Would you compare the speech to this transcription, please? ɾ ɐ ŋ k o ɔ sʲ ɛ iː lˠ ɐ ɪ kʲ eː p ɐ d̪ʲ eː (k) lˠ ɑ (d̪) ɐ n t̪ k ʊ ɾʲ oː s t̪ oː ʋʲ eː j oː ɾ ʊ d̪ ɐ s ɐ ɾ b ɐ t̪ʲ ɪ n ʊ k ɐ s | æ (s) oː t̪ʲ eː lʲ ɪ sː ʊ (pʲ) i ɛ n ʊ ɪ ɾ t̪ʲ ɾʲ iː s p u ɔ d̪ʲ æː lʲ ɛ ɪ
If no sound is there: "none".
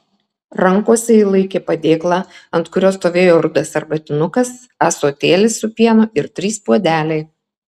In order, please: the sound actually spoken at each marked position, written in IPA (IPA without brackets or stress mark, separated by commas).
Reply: k, none, s, pʲ